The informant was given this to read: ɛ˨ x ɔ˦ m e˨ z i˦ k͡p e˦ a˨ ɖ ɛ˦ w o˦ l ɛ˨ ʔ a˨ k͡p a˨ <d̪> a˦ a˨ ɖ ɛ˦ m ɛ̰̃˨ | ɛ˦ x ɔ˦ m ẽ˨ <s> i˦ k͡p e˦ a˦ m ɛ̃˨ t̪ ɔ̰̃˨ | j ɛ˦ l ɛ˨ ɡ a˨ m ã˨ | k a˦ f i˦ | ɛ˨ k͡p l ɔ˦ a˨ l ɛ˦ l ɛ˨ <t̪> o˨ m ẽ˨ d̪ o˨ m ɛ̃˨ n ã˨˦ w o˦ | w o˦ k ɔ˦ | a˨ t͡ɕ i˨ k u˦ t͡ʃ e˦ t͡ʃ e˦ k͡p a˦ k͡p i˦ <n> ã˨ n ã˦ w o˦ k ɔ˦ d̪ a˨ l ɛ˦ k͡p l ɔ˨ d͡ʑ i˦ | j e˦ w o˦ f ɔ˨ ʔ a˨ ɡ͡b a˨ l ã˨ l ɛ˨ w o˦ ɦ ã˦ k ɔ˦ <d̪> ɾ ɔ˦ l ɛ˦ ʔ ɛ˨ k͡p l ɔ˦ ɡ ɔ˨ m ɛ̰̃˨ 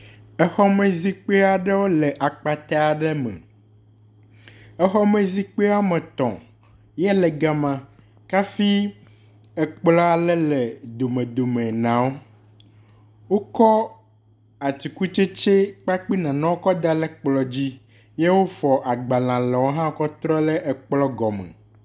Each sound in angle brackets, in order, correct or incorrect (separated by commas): incorrect, incorrect, incorrect, correct, incorrect